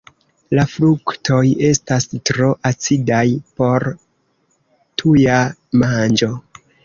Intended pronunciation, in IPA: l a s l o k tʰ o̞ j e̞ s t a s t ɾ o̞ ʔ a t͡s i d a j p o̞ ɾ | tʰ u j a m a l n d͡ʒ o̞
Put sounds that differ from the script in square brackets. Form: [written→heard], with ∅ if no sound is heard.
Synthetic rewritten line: l a [s→f] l [o→u] k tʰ o̞ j e̞ s t a s t ɾ o̞ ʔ a t͡s i d a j p o̞ ɾ | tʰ u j a m a [l→∅] n d͡ʒ o̞